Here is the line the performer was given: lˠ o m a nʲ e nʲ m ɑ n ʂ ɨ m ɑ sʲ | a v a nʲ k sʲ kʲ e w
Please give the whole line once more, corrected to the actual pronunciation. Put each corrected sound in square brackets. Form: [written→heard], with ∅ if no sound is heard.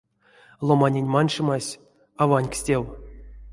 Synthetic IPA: lˠ o m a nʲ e nʲ m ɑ n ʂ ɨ m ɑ sʲ | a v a nʲ k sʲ [kʲ→tʲ] e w